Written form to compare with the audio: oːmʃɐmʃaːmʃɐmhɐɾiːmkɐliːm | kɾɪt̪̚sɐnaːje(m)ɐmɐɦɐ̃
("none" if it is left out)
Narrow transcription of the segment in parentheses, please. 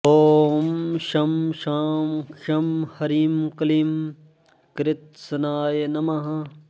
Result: n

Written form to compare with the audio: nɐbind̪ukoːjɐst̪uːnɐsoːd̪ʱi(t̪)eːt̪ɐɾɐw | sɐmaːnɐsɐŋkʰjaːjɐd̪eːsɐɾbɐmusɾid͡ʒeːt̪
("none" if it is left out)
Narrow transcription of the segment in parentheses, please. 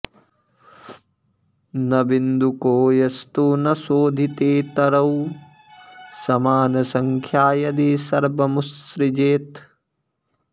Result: t̪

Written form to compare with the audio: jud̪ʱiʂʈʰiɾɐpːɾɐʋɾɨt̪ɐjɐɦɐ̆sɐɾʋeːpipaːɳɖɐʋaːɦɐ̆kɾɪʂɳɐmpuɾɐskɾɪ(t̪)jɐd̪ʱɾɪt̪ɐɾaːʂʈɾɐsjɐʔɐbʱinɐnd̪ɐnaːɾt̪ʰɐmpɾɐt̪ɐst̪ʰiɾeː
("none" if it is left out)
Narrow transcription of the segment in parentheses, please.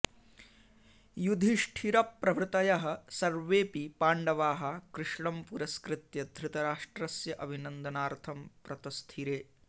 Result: t̪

